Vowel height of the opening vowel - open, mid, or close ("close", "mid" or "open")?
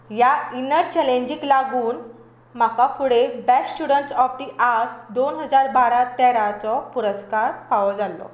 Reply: open